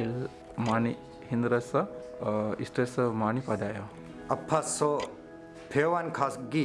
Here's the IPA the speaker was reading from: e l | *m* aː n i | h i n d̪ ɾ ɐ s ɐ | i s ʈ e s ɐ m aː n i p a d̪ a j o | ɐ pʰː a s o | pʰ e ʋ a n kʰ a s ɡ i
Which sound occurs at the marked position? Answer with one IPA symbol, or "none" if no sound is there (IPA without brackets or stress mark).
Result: m